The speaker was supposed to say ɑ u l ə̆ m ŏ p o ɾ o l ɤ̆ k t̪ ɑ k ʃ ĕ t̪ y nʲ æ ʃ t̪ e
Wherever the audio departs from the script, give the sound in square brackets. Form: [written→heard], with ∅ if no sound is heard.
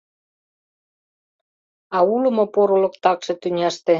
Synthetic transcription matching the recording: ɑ u l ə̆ m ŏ p o ɾ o l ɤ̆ k t̪ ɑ k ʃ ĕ t̪ y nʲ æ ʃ t̪ e